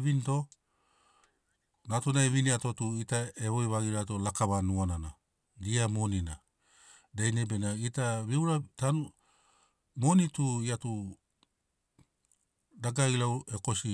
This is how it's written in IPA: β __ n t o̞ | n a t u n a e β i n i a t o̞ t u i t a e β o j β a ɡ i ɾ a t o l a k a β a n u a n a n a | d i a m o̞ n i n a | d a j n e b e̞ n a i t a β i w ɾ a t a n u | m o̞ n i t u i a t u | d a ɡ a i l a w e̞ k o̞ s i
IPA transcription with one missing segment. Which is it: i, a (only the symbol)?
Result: i